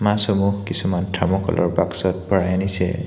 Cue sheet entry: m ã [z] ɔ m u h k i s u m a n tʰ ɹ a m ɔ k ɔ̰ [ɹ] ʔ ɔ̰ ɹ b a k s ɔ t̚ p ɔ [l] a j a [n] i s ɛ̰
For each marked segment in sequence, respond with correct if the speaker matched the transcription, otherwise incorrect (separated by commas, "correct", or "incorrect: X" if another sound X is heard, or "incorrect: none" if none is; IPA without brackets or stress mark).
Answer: incorrect: s, incorrect: l, incorrect: ɹ, correct